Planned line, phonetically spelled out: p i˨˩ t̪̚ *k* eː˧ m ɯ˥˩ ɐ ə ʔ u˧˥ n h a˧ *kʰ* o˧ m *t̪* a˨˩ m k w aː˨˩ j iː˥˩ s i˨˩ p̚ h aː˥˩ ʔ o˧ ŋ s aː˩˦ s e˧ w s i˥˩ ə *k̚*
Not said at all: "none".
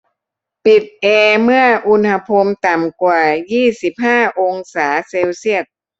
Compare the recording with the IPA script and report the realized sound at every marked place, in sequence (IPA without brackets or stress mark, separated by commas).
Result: ʔ, pʰ, t̪, k̚